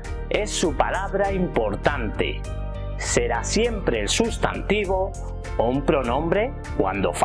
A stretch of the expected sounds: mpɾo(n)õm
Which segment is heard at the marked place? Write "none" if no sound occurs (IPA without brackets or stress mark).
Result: n